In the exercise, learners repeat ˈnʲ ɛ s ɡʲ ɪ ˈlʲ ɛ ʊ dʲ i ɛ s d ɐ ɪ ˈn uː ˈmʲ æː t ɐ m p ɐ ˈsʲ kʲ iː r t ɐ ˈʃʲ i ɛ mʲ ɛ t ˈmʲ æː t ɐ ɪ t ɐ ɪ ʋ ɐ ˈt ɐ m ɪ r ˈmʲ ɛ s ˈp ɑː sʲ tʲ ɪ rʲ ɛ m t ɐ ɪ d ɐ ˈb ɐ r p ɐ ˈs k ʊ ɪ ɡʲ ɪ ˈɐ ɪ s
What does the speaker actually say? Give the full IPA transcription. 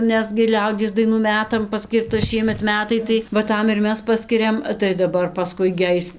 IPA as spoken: ˈnʲ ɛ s ɡʲ ɪ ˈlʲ ɛ ʊ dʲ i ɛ s d ɐ ɪ ˈn uː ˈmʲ æː t ɐ m p ɐ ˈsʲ kʲ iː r t ɐ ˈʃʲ i ɛ mʲ ɛ t ˈmʲ æː t ɐ ɪ t ɐ ɪ ʋ ɐ ˈt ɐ m ɪ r ˈmʲ ɛ s ˈp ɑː sʲ kʲ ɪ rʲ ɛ m t ɐ ɪ d ɐ ˈb ɐ r p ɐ ˈs k ʊ ɪ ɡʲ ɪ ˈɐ ɪ s